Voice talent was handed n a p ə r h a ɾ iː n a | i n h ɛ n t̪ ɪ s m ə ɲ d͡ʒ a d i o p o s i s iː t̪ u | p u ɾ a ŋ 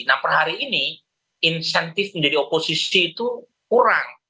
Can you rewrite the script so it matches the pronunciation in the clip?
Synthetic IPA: n a p ə r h a ɾ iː n i | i n s ɛ n t̪ ɪ f m ə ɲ d͡ʒ a d i o p o s i s iː t̪ u | k u ɾ a ŋ